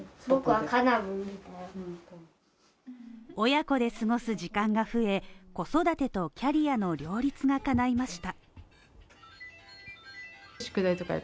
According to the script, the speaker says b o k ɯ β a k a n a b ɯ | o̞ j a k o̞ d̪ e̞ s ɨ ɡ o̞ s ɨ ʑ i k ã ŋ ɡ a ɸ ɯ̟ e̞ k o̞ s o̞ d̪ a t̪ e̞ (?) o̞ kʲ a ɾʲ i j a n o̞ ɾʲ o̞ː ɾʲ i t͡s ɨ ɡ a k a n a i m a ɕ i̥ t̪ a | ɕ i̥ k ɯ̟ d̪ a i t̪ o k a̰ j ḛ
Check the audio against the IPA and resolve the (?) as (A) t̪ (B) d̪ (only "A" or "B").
A